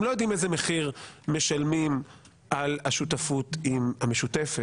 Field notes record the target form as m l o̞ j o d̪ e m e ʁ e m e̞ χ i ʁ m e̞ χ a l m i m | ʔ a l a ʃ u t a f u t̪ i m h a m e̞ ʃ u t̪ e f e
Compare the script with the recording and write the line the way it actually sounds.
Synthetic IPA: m l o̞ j o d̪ i m e z e m e̞ χ i ʁ m e̞ ʃ a l m i m | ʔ a l a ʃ u t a f u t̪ i m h a m e̞ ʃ u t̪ e f e